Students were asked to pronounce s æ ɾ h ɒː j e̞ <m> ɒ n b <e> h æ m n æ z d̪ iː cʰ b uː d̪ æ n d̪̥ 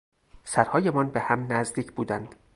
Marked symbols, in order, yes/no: yes, yes

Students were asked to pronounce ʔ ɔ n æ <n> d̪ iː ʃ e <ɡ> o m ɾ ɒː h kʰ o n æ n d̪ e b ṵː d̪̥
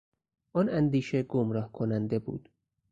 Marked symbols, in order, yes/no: yes, yes

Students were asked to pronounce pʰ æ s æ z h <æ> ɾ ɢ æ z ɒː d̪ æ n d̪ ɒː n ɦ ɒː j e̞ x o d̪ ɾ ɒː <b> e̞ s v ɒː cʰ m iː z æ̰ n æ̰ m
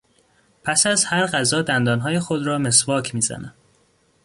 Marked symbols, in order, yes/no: yes, no

